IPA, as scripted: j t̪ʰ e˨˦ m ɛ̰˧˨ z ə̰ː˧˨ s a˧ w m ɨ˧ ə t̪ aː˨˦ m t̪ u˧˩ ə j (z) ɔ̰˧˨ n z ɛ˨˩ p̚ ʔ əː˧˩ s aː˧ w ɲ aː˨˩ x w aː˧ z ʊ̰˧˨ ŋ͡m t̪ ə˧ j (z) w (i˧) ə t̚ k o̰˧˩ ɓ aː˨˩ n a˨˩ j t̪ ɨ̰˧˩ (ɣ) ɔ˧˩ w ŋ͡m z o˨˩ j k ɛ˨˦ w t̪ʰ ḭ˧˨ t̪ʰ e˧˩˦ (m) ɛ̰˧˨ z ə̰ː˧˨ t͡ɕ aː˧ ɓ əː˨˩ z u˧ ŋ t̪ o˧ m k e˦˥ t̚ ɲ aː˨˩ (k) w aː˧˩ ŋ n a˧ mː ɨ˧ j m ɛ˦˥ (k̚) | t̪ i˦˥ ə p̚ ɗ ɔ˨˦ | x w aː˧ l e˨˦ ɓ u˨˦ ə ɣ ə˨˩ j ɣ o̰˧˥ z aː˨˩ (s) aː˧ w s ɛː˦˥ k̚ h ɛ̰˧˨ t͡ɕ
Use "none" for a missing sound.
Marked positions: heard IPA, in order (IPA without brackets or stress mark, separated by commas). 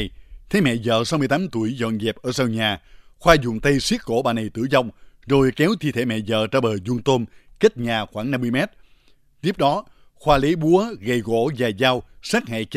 z, s, i˦˥, z, m, x, t̚, z